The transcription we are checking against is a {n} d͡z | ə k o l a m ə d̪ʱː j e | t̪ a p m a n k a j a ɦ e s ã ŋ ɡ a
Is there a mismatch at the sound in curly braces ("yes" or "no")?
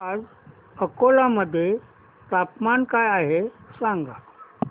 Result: yes